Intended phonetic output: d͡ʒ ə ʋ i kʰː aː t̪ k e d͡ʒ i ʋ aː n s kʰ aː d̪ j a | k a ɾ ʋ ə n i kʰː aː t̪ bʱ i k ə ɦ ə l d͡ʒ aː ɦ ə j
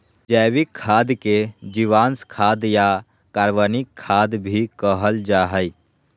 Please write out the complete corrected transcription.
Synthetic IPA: d͡ʒ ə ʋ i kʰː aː d̪ k e d͡ʒ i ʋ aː n s kʰ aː d̪ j a | k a ɾ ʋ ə n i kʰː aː d̪ bʱ i k ə ɦ ə l d͡ʒ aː ɦ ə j